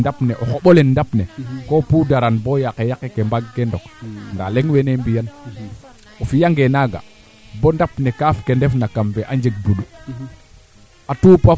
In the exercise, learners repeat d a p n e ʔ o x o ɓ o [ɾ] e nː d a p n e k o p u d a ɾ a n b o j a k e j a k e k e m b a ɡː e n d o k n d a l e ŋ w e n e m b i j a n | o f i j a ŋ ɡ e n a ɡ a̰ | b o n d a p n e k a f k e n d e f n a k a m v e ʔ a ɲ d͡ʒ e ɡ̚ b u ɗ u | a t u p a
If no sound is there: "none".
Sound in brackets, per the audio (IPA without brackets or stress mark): l